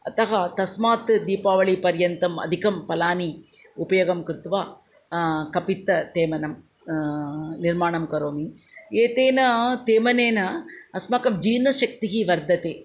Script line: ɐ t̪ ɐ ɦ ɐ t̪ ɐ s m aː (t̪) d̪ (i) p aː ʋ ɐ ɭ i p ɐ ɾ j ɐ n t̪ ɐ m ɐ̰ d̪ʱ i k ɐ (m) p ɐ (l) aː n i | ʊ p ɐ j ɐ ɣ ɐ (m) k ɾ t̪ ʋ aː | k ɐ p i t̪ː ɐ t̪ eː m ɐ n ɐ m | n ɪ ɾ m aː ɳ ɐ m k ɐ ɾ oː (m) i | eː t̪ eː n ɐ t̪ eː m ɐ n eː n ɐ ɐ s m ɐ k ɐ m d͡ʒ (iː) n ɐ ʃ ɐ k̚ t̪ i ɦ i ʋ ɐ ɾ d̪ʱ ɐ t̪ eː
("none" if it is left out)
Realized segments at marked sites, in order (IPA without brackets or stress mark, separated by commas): t̪, iː, m, l, m, m, iː